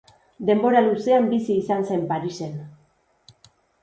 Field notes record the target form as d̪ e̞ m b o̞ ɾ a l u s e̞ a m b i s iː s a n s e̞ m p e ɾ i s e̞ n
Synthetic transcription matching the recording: d̪ e̞ m b o̞ ɾ a l u s e̞ a m b i s iː s a n s e̞ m p a ɾ i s e̞ n

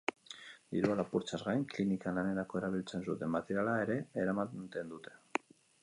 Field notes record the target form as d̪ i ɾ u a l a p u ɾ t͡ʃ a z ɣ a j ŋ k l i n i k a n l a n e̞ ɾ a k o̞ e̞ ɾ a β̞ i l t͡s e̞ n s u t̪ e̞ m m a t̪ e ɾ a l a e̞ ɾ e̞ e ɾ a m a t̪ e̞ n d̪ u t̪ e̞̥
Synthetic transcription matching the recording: d̪ i ɾ u a l a p u ɾ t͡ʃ a z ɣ a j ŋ k l i n i k a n l a n e̞ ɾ a k o̞ e̞ ɾ a β̞ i l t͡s e̞ n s u t̪ e̞ m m a t̪ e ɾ a l a e̞ ɾ e̞ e ɾ a m a t̪ e̞ n d̪ u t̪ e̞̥

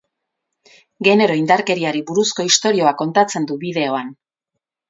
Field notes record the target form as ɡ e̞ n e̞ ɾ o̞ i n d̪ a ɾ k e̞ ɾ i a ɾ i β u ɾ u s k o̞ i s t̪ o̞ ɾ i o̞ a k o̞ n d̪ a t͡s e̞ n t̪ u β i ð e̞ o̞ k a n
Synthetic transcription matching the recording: ɡ e̞ n e̞ ɾ o̞ i n d̪ a ɾ k e̞ ɾ i a ɾ i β u ɾ u s k o̞ i s t̪ o̞ ɾ i o̞ a k o̞ n t̪ a t͡s e̞ n d̪ u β i ð e̞ o̞ a n

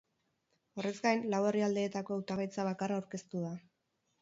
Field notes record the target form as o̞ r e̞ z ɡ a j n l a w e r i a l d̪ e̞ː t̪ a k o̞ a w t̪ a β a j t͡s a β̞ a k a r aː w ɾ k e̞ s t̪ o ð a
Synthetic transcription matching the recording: o̞ r e̞ z ɡ a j n l a w e r i a l d̪ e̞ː t̪ a k o̞ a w t̪ a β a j t͡s a β̞ a k a r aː w ɾ k e̞ s t̪ u ð a

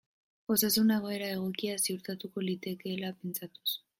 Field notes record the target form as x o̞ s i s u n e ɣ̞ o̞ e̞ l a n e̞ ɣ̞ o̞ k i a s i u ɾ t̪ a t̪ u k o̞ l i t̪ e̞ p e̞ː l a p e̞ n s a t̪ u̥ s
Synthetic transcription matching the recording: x o̞ s a s u n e ɣ̞ o̞ e̞ ɾ a e̞ ɣ̞ o̞ k i a s i u ɾ t̪ a t̪ u k o̞ l i t̪ e̞ k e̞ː l a p e̞ n t͡s a t̪ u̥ s

